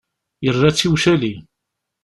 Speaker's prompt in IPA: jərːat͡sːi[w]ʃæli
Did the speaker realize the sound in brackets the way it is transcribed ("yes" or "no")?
yes